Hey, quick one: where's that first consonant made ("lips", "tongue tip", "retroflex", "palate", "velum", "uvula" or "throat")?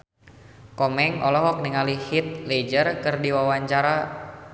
velum